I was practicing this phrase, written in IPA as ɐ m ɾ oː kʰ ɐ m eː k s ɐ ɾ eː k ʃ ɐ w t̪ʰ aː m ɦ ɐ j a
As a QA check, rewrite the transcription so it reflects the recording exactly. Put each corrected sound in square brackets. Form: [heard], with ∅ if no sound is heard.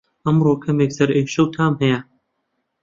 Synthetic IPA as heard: ɐ m ɾ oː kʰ ɐ m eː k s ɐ ɾ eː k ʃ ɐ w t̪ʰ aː m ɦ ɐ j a